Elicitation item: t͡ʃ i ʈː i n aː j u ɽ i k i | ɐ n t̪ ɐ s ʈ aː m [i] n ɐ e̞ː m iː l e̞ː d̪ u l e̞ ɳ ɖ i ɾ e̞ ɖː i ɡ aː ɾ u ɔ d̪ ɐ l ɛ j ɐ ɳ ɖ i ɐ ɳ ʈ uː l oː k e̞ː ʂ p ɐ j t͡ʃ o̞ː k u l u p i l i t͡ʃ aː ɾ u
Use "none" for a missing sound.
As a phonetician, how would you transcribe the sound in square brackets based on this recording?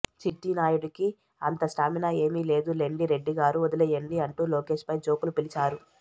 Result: i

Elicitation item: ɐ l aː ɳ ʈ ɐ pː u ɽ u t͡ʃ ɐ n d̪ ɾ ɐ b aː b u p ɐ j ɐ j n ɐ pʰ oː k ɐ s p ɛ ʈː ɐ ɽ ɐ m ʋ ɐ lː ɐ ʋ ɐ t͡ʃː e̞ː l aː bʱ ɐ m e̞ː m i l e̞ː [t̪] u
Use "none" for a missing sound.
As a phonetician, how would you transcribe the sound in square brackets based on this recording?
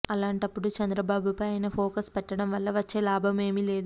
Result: d̪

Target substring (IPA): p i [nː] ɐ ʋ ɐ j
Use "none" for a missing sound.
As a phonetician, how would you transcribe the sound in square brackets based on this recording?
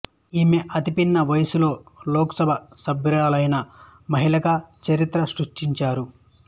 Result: nː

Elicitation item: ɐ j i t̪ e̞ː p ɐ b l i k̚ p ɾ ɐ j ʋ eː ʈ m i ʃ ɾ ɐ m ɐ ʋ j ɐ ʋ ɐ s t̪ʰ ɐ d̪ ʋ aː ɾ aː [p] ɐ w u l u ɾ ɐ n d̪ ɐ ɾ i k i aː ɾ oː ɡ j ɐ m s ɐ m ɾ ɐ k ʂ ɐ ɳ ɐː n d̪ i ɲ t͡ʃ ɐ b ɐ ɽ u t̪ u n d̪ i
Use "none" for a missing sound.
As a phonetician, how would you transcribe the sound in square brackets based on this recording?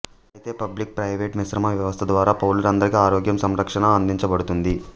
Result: p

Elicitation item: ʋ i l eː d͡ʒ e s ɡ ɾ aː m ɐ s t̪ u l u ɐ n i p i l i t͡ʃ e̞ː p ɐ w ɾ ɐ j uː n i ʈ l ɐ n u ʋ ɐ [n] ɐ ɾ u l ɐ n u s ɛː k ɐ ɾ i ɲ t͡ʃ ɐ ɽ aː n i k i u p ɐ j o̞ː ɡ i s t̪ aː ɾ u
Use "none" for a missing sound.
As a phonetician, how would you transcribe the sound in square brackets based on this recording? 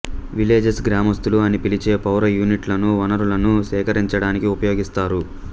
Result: n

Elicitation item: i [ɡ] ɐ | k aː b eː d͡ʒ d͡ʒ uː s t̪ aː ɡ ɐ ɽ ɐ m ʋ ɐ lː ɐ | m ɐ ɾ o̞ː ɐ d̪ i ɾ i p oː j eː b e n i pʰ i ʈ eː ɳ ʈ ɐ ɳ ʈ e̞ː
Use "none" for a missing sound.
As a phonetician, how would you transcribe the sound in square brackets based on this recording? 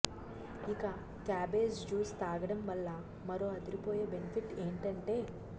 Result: k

